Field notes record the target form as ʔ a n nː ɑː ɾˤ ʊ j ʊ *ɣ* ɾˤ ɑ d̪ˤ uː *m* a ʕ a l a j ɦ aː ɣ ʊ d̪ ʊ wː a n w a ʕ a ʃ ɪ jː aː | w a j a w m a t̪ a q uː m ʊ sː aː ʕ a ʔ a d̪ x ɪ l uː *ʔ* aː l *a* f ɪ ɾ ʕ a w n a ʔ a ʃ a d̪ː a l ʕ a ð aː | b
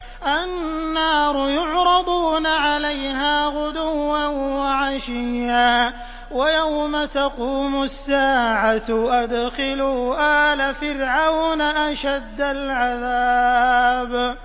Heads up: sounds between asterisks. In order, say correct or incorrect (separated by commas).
incorrect, incorrect, correct, correct